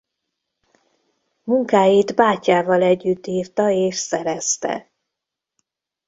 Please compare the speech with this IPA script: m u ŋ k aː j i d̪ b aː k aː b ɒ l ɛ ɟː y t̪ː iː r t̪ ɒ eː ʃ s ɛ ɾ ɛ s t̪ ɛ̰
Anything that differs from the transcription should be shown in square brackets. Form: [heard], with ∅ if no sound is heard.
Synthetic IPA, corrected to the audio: m u ŋ k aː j i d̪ b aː [c] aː [v] ɒ l ɛ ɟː y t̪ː iː r t̪ ɒ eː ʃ s ɛ ɾ ɛ s t̪ ɛ̰